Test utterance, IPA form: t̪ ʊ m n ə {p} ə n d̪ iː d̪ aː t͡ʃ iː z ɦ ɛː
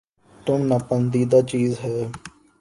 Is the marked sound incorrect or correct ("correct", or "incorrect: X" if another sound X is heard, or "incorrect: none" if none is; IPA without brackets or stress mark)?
correct